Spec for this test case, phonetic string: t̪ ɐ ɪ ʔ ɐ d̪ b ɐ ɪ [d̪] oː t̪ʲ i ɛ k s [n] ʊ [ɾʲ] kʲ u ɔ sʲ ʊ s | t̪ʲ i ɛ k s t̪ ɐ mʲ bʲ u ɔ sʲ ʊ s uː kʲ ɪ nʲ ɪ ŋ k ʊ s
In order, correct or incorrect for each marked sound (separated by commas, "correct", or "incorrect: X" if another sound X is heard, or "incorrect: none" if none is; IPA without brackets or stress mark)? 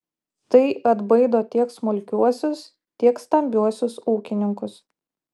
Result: correct, incorrect: m, incorrect: lʲ